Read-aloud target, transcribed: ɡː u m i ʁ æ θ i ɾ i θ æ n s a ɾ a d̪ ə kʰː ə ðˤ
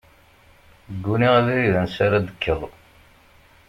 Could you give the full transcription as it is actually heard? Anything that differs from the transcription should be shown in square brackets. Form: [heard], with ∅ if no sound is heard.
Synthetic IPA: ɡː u [n] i ʁ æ [ð] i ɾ i [ð] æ n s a ɾ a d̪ ə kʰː ə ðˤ